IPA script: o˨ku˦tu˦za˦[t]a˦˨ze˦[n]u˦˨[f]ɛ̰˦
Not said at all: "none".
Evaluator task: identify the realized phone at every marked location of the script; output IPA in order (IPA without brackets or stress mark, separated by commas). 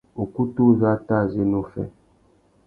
t, n, f